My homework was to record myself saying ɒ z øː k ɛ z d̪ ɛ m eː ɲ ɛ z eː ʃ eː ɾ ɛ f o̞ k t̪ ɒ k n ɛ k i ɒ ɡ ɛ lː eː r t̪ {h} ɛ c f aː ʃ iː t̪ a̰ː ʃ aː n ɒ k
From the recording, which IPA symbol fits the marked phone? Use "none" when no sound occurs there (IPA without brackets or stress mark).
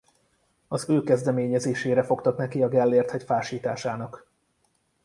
h